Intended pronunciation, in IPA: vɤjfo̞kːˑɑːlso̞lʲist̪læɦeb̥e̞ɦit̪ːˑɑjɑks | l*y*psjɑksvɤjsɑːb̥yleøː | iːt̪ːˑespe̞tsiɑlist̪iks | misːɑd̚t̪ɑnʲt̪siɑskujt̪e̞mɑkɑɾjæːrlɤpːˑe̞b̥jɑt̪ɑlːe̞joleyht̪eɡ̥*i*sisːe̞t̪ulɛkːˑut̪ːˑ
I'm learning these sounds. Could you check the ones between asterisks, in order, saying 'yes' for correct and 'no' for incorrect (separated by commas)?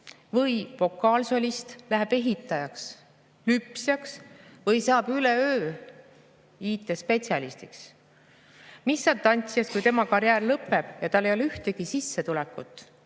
yes, yes